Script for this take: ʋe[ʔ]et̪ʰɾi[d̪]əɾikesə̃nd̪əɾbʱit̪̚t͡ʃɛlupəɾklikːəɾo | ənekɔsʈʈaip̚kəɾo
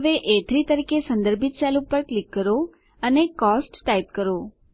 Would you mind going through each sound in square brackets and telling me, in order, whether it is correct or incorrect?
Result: correct, incorrect: t̪

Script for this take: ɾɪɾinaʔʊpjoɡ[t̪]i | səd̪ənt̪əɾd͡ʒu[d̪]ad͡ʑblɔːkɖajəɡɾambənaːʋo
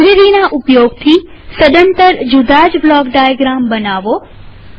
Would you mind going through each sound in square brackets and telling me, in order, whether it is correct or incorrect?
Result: incorrect: t̪ʰ, correct

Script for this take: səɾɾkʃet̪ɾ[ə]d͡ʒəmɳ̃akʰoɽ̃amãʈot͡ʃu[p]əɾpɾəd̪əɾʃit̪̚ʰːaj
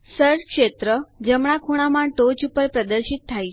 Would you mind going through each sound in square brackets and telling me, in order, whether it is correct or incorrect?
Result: correct, correct

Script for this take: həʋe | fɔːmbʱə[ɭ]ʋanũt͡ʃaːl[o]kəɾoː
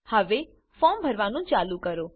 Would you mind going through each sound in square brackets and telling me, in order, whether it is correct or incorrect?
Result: incorrect: ɾ, incorrect: u

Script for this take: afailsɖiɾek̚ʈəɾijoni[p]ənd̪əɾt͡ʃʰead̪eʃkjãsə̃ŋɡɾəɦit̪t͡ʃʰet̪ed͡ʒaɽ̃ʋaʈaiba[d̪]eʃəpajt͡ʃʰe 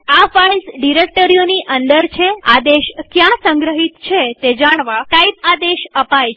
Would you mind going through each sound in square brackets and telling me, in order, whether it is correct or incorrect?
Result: incorrect: ʔ, correct

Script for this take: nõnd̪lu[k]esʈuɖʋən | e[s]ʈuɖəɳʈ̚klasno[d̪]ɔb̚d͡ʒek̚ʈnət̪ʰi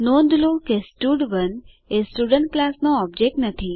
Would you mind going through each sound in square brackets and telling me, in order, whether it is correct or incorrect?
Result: correct, correct, incorrect: none

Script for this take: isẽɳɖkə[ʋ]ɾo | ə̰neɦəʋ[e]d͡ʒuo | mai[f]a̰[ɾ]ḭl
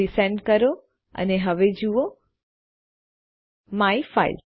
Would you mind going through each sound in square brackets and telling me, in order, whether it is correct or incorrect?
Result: incorrect: none, correct, correct, incorrect: none

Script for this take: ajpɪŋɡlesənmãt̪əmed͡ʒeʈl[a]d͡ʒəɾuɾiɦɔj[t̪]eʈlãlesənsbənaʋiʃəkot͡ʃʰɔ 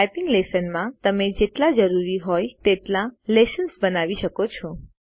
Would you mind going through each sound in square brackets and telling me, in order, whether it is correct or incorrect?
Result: correct, correct

